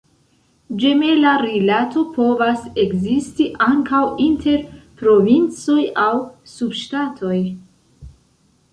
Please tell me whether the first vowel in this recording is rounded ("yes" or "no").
no